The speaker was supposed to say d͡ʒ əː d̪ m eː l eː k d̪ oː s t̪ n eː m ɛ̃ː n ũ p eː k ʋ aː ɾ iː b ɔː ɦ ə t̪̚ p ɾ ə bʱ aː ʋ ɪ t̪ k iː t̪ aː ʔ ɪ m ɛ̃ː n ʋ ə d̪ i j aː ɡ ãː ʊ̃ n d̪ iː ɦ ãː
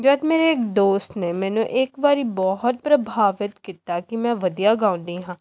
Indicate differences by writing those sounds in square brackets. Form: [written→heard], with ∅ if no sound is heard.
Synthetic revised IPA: d͡ʒ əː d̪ m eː [l→ɾ] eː k d̪ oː s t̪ n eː m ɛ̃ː n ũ [p→ʔ] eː k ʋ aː ɾ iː b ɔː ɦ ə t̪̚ p ɾ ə bʱ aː ʋ ɪ t̪ k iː t̪ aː [ʔ→k] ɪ m ɛ̃ː [n→∅] ʋ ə d̪ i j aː ɡ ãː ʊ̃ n d̪ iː ɦ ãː